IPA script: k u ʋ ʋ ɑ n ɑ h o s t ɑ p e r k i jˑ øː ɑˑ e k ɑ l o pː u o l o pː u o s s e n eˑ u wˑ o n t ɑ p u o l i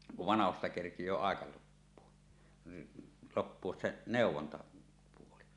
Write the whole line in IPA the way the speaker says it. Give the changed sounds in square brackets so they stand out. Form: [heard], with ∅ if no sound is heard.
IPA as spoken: k u ʋ ʋ ɑ n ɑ h o s t ɑ [k] e r k i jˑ øː ɑˑ e k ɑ l o pː u o l o pː u o s s e n eˑ u wˑ o n t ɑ p u o l i